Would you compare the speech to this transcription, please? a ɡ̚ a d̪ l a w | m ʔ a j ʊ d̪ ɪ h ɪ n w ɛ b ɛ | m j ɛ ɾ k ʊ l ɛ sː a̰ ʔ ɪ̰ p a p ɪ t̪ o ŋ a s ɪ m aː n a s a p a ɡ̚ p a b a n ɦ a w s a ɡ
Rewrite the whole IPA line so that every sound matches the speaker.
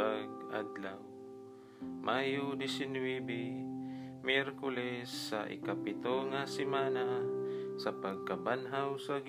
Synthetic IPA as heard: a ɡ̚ a d̪ l a w | m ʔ a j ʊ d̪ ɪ s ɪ n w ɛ b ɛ | m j ɛ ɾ k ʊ l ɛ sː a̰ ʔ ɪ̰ k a p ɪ t̪ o ŋ a s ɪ m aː n a s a p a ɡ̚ k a b a n ɦ a w s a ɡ